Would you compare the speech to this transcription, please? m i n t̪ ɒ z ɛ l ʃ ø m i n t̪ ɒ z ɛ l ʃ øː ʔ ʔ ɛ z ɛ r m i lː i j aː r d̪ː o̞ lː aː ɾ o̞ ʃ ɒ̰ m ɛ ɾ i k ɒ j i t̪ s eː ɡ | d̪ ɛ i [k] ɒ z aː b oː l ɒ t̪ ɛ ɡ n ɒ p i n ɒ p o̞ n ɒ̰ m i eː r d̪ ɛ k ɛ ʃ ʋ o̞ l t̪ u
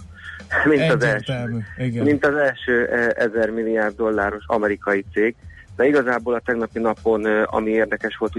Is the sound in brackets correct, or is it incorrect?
incorrect